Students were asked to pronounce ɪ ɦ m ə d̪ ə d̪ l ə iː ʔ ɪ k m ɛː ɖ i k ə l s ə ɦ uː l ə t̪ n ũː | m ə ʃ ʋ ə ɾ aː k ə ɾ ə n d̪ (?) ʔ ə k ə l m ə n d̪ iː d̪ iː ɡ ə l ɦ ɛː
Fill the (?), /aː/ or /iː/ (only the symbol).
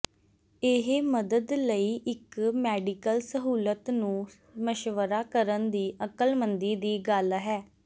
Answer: iː